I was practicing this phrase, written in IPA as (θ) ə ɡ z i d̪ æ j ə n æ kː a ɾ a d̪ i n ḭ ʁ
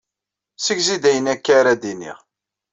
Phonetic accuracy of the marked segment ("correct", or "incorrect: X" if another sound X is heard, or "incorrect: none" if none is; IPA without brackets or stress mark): incorrect: s